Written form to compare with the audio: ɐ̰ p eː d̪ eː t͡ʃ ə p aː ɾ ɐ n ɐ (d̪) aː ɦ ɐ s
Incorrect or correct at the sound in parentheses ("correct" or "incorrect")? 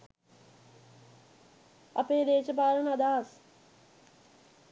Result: correct